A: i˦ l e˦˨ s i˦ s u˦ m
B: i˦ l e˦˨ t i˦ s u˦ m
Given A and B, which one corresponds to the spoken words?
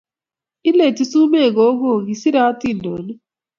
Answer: B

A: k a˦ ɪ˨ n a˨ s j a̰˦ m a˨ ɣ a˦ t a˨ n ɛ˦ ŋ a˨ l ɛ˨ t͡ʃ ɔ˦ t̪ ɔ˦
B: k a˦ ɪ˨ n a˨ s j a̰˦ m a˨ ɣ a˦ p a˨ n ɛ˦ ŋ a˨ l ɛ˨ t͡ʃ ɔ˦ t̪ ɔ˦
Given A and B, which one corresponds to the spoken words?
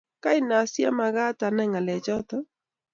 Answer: A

